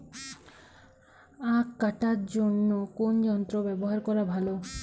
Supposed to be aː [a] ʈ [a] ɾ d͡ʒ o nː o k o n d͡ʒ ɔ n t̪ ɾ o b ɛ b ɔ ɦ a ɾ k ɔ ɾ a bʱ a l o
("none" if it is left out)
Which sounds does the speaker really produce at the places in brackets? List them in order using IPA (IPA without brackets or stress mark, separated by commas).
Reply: a, a